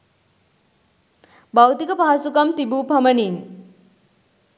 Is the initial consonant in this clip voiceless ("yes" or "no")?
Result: no